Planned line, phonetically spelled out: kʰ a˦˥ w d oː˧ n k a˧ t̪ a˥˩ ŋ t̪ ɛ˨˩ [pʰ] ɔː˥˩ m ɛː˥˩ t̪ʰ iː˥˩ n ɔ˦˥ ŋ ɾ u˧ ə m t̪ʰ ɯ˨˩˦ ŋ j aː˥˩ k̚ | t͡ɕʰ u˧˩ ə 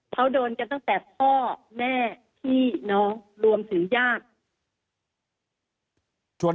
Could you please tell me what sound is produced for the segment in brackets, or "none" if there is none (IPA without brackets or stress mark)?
pʰ